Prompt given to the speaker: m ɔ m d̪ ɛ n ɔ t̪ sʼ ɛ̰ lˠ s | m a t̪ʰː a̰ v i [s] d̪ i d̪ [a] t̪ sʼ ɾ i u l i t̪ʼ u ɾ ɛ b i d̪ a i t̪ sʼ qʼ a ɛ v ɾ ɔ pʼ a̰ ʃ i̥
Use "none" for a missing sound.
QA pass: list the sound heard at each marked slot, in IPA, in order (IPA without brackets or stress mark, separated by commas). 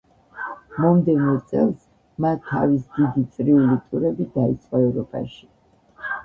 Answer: s, i